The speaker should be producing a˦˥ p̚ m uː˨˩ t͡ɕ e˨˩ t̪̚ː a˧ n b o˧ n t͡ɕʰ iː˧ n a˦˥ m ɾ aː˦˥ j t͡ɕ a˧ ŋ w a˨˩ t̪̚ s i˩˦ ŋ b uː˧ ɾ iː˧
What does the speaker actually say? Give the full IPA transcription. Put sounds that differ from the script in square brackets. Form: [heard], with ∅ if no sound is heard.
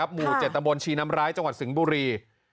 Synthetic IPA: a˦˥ p̚ m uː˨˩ t͡ɕ e˨˩ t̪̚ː a˧ [m] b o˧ n t͡ɕʰ iː˧ n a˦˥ m ɾ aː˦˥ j t͡ɕ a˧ ŋ w a˨˩ t̪̚ s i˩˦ ŋ b uː˧ ɾ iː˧

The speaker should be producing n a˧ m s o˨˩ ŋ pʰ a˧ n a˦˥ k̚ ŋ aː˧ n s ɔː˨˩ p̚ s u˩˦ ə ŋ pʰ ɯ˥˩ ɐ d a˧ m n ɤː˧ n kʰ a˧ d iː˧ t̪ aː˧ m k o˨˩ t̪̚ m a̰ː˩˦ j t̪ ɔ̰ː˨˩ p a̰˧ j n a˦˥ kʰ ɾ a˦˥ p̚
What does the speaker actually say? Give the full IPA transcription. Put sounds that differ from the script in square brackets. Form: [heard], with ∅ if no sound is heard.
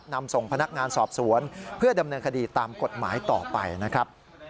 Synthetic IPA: n a˧ m s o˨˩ ŋ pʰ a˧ n a˦˥ k̚ ŋ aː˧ n s ɔː˨˩ p̚ s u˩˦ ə [n] pʰ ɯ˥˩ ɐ d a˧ m n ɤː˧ n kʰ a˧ d iː˧ t̪ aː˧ m k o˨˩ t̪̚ m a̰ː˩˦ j t̪ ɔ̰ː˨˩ p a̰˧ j n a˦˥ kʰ ɾ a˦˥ p̚

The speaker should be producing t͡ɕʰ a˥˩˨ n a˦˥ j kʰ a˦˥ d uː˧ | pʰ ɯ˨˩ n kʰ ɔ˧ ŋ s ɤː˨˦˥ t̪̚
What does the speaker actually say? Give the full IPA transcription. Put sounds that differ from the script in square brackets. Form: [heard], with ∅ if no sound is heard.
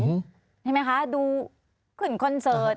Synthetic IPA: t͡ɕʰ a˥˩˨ [m] a˦˥ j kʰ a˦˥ d uː˧ | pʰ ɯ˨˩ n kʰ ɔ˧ [n] s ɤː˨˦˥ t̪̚

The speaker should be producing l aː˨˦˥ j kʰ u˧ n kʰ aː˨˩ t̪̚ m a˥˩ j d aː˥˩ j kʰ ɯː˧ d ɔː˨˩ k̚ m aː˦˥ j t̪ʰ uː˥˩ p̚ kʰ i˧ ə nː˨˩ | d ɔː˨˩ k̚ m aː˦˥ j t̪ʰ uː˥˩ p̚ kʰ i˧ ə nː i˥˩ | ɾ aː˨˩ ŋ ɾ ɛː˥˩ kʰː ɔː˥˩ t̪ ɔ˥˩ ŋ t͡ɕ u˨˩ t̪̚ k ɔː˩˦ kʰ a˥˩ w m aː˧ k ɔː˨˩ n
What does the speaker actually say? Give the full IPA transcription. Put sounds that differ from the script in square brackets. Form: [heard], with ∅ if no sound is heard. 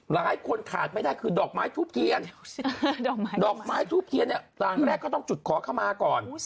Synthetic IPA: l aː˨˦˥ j kʰ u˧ n kʰ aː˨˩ t̪̚ m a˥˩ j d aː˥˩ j kʰ ɯː˧ d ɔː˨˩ k̚ m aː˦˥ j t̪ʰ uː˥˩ p̚ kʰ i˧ ə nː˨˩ | d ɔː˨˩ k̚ m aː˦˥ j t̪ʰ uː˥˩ p̚ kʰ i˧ ə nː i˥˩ | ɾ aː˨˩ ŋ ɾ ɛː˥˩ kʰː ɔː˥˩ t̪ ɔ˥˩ ŋ t͡ɕ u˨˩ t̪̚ [kʰ] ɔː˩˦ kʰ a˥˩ w m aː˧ k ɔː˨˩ n

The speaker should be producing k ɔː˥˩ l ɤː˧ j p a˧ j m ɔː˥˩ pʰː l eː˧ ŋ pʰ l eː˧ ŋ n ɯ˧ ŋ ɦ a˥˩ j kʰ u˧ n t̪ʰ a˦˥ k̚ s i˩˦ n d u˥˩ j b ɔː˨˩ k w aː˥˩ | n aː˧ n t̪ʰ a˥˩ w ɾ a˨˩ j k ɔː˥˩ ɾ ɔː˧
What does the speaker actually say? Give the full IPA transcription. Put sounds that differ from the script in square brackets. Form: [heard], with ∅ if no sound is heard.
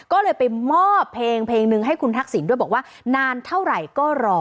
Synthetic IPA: k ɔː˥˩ l ɤː˧ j p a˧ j m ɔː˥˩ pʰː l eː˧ ŋ pʰ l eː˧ ŋ n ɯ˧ ŋ ɦ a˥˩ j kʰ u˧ n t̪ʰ a˦˥ k̚ s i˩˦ n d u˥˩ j b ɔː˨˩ k w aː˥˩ | n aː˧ n t̪ʰ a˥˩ w ɾ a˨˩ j k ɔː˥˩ ɾ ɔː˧

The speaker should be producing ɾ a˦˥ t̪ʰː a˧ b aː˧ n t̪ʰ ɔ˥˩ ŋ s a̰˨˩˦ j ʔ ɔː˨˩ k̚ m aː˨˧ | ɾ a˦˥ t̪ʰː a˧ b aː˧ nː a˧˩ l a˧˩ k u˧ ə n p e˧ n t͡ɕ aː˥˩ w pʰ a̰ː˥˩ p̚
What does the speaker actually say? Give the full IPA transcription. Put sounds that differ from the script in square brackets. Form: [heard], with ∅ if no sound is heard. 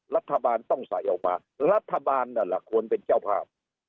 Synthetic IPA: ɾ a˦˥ t̪ʰː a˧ b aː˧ n [t̪] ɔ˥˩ ŋ s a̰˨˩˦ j ʔ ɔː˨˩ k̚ m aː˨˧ | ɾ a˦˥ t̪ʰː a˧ b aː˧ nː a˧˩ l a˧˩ [kʰ] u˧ ə n p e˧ n t͡ɕ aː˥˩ w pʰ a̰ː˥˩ p̚

